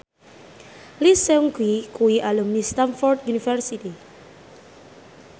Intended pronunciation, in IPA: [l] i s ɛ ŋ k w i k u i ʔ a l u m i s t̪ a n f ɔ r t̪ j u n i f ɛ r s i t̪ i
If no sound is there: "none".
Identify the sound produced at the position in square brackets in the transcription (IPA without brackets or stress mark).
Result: l